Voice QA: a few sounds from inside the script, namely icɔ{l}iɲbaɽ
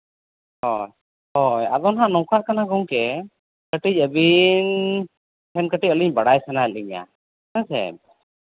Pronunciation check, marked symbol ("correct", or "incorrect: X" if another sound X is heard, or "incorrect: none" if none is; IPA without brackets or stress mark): correct